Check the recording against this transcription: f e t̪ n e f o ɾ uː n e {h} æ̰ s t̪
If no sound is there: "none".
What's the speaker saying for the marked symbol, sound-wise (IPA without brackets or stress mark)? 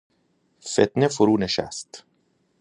ʃ